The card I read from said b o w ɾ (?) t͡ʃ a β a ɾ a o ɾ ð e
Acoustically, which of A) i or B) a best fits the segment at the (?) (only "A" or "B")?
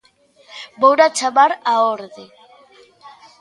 B